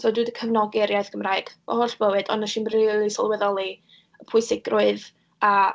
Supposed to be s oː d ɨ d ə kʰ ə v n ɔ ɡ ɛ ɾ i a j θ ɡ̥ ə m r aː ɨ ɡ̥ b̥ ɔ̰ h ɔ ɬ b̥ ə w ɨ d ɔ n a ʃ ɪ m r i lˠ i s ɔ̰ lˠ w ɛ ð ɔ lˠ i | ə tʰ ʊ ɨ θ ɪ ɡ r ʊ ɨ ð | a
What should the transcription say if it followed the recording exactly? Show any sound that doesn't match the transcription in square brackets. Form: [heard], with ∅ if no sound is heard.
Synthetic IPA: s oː d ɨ d ə kʰ ə v n ɔ ɡ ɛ ɾ [j] a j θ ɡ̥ ə m r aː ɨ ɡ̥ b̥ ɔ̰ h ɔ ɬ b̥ ə w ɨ d ɔ n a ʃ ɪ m r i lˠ i s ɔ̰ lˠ w ɛ ð ɔ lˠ i | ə [pʰ] ʊ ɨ [s] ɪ ɡ r ʊ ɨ ð | a